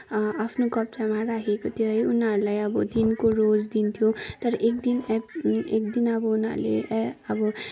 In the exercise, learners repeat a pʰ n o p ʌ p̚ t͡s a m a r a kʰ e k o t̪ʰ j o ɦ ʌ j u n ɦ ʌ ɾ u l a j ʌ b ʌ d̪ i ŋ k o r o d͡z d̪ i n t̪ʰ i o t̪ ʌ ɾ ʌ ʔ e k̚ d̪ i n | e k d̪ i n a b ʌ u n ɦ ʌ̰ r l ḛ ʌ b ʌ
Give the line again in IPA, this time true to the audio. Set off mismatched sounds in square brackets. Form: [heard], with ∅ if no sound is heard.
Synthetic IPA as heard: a pʰ n o [k] ʌ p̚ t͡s a m a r a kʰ e k o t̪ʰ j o ɦ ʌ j u n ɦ ʌ ɾ u l a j ʌ b ʌ d̪ i [n] k o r o d͡z d̪ i n t̪ʰ [j] o t̪ ʌ ɾ ʌ ʔ e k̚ d̪ i n | e k d̪ i n [ʌ] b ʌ u n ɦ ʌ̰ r l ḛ ʌ b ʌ